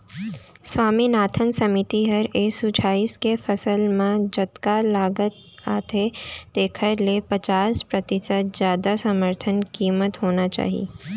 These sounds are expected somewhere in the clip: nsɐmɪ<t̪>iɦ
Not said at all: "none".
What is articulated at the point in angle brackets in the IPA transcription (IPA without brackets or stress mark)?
t̪